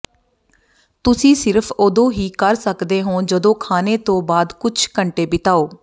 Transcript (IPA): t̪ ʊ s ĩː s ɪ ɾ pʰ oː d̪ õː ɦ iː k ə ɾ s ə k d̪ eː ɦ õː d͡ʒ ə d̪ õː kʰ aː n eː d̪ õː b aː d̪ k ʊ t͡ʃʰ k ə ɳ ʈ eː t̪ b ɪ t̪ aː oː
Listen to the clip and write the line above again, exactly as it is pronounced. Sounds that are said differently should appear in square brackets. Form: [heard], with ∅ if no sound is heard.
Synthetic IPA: t̪ ʊ s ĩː s ɪ ɾ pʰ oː d̪ õː ɦ iː k ə ɾ s ə k d̪ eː ɦ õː d͡ʒ ə d̪ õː kʰ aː n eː [t̪] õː b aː d̪ k ʊ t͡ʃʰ k ə ɳ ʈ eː [∅] b ɪ t̪ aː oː